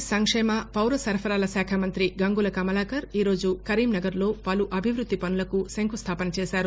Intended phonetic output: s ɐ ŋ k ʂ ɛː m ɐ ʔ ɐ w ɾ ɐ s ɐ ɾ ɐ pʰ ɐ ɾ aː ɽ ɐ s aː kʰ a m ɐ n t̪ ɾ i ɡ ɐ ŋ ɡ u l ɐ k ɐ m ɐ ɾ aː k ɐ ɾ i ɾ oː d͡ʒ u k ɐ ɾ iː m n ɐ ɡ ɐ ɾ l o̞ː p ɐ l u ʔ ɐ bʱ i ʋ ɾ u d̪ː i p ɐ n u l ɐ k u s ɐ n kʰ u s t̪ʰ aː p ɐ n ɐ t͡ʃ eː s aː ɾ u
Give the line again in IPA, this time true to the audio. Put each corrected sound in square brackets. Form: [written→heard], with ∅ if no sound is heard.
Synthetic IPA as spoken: s ɐ ŋ k ʂ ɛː m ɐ [ʔ→p] ɐ w ɾ ɐ s ɐ ɾ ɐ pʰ ɐ ɾ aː [ɽ→l] ɐ s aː kʰ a m ɐ n t̪ ɾ i ɡ ɐ ŋ ɡ u l ɐ k ɐ m ɐ [ɾ→l] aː k ɐ ɾ [i→iː] ɾ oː d͡ʒ u k ɐ ɾ iː m n ɐ ɡ ɐ ɾ l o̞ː p ɐ l u ʔ ɐ bʱ i ʋ ɾ u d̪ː i p ɐ n u l ɐ k u s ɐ [n→ŋ] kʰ u s t̪ʰ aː p ɐ n ɐ t͡ʃ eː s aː ɾ u